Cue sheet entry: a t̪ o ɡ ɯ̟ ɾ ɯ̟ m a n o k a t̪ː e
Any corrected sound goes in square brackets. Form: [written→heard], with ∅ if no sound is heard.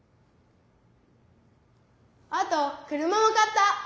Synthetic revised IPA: a t̪ o [ɡ→k] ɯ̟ ɾ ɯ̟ m a [n→m] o k a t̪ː [e→a]